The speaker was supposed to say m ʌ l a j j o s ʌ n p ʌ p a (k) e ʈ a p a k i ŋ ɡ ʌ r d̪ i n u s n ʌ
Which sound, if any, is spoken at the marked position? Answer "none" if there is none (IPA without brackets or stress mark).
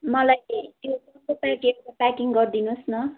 k